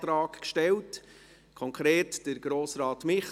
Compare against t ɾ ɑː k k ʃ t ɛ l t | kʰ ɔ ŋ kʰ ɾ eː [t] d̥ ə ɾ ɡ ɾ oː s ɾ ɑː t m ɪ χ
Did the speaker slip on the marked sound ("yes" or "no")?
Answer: no